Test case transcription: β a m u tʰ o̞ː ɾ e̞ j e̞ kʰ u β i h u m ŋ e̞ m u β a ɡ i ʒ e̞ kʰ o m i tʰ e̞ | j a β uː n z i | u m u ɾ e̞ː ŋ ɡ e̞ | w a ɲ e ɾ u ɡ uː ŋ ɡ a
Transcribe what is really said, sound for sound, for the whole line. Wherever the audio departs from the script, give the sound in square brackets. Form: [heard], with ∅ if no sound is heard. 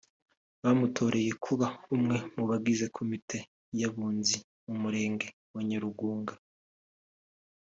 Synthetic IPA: β a m u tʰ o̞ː ɾ e̞ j e̞ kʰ u β [a] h u m ŋ e̞ m u β a ɡ i [z] e̞ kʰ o m i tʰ e̞ | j a β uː n z i | u m u ɾ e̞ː ŋ ɡ e̞ | w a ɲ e ɾ u ɡ uː ŋ ɡ a